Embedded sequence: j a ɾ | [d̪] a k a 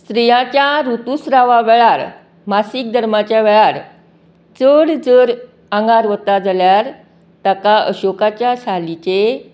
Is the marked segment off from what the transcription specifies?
yes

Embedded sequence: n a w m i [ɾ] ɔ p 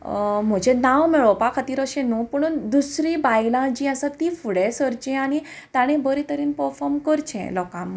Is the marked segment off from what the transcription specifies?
yes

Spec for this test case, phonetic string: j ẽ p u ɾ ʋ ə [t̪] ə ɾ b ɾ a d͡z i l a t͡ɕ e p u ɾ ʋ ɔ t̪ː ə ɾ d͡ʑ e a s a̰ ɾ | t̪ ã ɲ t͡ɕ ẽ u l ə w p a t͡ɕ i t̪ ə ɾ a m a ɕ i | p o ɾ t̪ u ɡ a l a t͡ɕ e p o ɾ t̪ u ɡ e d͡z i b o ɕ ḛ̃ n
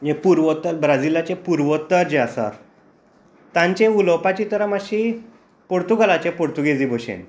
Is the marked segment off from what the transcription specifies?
no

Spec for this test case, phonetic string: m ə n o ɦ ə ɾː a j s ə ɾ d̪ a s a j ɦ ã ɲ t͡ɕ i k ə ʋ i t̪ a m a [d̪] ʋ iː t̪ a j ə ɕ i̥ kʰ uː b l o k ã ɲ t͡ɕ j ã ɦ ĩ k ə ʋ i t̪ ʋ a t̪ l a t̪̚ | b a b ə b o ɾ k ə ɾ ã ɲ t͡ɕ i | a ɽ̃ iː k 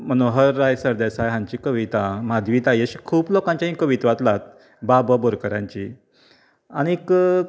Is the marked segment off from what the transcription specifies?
no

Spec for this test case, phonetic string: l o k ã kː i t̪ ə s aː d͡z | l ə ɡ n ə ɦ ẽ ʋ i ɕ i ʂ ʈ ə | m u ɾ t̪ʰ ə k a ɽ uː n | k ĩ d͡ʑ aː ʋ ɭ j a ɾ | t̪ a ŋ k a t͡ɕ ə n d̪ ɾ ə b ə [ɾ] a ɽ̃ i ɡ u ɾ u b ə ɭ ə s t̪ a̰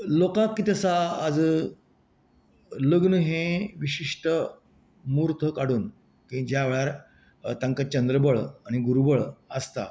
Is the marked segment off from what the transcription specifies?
yes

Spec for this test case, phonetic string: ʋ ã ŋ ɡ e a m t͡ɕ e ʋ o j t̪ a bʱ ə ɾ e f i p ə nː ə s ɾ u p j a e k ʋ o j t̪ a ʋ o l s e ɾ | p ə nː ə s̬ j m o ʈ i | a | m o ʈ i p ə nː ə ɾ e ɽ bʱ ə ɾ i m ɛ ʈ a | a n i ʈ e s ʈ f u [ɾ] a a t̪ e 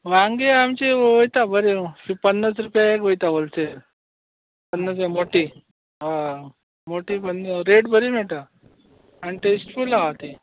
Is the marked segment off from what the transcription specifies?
yes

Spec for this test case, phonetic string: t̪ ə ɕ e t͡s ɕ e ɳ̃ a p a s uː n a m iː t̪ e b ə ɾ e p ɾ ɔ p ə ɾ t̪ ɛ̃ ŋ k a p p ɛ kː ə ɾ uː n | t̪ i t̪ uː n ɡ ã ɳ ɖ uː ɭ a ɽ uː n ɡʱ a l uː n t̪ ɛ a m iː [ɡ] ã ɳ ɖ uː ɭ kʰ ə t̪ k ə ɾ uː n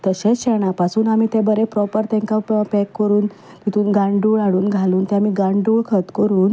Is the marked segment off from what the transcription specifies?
no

